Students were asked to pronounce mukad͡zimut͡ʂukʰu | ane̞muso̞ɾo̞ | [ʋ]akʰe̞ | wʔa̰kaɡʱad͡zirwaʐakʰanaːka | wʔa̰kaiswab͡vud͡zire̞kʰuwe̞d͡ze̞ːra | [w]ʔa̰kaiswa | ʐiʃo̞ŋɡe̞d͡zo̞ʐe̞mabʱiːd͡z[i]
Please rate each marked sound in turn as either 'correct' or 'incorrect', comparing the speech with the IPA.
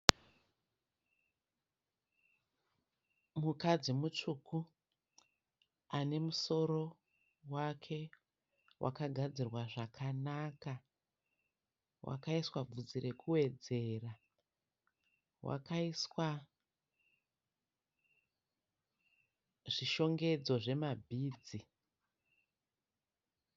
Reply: incorrect: w, correct, correct

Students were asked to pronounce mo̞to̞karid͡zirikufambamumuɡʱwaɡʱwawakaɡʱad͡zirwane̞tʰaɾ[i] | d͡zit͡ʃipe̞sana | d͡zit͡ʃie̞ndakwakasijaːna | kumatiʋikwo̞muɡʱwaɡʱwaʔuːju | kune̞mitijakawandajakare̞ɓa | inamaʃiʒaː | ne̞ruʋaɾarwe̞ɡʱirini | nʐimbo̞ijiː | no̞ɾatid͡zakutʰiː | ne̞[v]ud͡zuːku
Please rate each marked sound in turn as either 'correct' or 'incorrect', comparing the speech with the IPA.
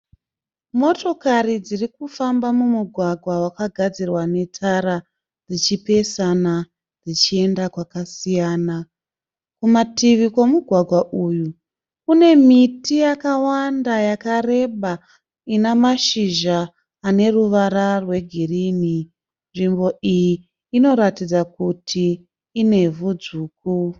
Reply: incorrect: a, correct

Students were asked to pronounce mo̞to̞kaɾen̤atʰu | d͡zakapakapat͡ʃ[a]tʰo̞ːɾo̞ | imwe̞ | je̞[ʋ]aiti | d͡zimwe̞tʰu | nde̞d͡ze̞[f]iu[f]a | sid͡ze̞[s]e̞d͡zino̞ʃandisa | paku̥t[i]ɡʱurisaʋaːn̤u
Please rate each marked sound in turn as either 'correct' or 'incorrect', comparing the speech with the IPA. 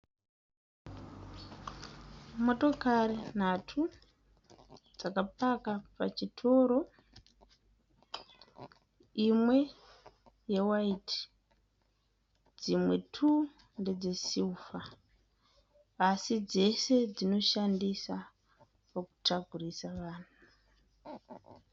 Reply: incorrect: i, incorrect: w, incorrect: s, correct, correct, incorrect: a

